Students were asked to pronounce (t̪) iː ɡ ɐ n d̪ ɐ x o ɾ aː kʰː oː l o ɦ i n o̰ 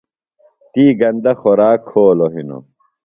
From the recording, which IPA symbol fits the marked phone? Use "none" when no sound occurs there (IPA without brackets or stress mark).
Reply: t̪